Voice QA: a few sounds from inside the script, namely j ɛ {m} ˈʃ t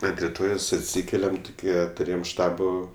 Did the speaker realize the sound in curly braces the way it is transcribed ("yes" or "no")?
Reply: yes